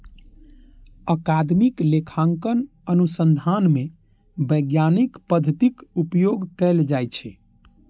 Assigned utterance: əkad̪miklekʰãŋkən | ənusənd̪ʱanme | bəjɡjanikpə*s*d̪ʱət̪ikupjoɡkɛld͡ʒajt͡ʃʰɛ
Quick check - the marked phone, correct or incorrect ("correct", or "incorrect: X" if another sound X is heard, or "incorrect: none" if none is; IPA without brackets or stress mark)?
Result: incorrect: none